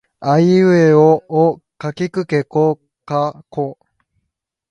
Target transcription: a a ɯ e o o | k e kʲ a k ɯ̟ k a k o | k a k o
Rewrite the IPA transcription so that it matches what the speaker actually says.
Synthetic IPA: a i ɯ e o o | k a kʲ i k ɯ̟ k e k o | k a k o